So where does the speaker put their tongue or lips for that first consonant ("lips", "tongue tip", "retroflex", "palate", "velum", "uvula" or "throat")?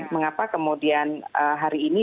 lips